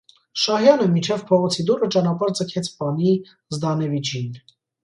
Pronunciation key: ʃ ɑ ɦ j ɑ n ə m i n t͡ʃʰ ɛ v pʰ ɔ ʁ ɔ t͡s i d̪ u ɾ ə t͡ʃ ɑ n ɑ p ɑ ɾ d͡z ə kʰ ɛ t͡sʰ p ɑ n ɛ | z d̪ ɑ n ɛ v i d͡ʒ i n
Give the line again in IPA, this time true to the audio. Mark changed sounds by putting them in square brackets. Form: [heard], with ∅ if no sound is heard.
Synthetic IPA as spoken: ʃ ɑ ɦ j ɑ n ə m i n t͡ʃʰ ɛ v pʰ ɔ ʁ ɔ [t͡sʰ] i d̪ u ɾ ə t͡ʃ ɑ n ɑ p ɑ ɾ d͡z ə kʰ ɛ t͡sʰ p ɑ n [i] | z d̪ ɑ n ɛ v i d͡ʒ i n